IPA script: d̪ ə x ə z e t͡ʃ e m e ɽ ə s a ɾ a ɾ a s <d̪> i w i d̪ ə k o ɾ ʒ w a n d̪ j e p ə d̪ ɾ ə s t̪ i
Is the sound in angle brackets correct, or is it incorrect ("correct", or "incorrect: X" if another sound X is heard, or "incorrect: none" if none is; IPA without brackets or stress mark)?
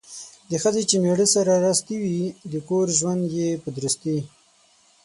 incorrect: t̪